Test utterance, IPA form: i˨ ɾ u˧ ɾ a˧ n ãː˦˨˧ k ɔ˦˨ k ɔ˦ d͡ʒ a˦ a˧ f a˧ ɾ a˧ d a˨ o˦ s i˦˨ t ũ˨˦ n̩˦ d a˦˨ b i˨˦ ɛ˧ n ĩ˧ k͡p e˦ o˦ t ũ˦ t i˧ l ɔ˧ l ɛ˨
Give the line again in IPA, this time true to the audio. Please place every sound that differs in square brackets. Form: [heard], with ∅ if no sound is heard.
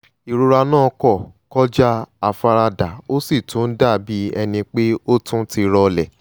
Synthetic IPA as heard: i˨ ɾ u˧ ɾ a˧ n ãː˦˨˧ k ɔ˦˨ k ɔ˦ d͡ʒ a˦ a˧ f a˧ ɾ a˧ d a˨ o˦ s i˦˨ t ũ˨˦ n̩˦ d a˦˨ b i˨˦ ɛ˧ n ĩ˧ k͡p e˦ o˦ t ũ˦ t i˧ [ɾ] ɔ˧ l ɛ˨